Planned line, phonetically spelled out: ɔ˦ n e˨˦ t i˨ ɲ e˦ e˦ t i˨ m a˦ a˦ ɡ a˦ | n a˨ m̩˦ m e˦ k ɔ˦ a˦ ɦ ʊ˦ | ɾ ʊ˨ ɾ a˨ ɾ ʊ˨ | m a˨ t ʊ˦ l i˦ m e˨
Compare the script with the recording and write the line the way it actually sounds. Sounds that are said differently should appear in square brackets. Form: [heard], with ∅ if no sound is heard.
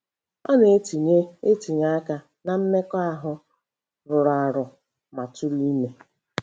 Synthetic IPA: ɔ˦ n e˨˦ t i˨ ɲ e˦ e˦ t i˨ [ɲ] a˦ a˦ [k] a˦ | n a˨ m̩˦ m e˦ k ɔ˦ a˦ ɦ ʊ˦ | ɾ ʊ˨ ɾ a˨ ɾ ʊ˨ | m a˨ t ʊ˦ l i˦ m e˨